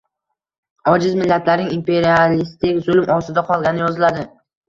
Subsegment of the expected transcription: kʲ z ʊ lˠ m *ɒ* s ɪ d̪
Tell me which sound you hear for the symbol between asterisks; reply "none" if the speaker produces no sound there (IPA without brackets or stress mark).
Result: ɒ